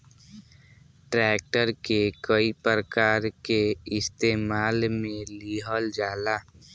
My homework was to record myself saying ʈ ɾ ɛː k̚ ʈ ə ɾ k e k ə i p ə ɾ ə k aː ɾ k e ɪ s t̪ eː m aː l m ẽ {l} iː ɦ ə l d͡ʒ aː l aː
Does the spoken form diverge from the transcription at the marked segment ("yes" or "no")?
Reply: no